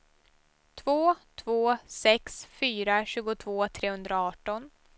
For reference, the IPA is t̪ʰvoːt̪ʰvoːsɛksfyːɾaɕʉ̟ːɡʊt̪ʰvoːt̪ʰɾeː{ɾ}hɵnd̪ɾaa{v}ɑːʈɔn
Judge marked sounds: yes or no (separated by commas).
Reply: no, no